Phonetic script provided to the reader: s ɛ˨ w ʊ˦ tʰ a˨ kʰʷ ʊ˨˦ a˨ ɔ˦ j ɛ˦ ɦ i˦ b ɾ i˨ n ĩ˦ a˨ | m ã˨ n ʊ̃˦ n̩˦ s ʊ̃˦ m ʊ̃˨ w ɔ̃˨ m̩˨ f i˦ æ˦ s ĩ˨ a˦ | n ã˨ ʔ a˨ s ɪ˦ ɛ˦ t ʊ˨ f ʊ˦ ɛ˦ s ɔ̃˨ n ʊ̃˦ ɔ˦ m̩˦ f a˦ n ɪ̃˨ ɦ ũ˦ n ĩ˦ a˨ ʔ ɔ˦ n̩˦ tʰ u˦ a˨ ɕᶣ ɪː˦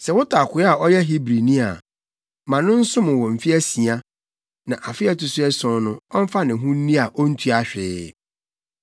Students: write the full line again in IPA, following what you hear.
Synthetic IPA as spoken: s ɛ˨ w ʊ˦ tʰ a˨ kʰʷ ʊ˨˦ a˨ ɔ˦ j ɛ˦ ɦ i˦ b ɾ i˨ n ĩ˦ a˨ | m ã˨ n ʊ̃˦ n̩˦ s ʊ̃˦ m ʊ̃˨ w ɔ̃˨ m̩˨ f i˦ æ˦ s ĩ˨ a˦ | n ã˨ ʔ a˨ f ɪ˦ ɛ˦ t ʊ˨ s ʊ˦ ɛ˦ s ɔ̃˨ n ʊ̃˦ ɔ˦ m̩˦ f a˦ n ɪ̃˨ ɦ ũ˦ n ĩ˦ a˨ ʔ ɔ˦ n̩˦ tʰ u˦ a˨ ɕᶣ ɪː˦